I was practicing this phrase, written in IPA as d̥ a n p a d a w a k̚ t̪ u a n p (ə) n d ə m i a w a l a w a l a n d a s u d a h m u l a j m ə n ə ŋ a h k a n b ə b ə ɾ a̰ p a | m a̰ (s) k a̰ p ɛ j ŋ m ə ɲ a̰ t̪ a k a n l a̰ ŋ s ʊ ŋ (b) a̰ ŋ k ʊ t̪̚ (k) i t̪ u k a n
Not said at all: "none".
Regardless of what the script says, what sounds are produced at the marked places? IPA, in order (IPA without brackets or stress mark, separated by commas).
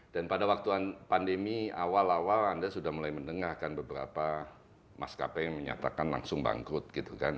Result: a, s, b, ɡ